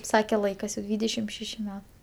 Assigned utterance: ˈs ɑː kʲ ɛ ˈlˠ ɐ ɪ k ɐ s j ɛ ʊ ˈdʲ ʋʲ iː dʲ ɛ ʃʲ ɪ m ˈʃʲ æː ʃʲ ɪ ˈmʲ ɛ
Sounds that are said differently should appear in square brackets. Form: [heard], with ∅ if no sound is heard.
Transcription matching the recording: ˈs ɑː kʲ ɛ ˈlˠ ɐ ɪ k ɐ s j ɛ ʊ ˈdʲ ʋʲ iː dʲ ɛ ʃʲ ɪ m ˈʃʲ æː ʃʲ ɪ ˈmʲ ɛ